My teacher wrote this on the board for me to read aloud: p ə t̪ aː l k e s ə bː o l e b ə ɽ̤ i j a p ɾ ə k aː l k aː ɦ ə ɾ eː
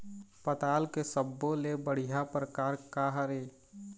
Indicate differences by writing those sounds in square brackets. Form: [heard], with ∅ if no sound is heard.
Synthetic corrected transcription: p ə t̪ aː l k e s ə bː o l e b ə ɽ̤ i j a p ɾ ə k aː [ɾ] k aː ɦ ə ɾ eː